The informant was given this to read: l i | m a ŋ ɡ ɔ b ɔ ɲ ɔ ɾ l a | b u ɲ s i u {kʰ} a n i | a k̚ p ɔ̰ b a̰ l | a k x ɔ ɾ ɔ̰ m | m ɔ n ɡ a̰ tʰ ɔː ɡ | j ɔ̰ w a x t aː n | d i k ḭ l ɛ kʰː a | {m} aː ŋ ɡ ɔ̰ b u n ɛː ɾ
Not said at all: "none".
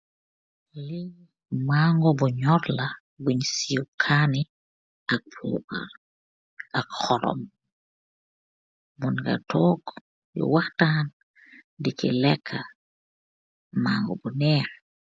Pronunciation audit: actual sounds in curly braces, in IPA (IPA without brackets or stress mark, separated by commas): kʰ, m